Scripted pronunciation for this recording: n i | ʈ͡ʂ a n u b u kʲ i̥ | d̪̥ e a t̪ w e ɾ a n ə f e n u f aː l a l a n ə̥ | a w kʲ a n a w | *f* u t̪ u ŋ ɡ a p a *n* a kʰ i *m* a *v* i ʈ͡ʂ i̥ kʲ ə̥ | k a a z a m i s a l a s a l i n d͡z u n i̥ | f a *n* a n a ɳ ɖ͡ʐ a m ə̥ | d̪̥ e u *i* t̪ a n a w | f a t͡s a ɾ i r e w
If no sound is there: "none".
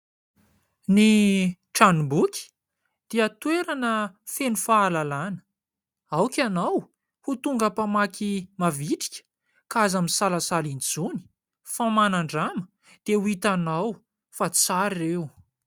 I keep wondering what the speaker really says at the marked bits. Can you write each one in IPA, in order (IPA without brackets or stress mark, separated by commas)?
h, m, m, v, m, i